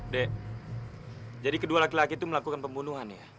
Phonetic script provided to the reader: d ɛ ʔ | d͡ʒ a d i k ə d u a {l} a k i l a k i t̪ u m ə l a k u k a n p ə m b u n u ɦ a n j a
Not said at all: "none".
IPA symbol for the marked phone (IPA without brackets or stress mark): l